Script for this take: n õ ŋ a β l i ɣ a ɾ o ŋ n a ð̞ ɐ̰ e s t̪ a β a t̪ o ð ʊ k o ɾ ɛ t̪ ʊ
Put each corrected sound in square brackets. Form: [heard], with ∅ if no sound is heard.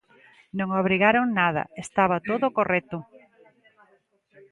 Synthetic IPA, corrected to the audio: n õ ŋ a β [ɾ] i ɣ a ɾ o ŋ n a ð̞ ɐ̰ e s t̪ a β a t̪ o ð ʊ k o [r] ɛ t̪ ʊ